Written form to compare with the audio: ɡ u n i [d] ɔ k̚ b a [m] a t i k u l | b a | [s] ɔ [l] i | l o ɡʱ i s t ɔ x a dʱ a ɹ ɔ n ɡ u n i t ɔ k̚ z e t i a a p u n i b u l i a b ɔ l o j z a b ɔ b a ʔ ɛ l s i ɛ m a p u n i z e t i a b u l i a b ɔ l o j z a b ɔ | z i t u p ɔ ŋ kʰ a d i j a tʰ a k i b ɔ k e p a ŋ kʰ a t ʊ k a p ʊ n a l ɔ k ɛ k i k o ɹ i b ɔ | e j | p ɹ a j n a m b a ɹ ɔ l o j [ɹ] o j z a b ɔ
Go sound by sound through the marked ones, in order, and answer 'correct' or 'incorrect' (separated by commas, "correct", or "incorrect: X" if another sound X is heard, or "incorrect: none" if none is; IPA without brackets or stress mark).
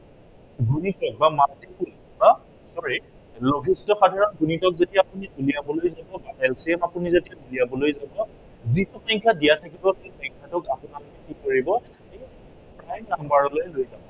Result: incorrect: t, correct, correct, incorrect: ɹ, incorrect: l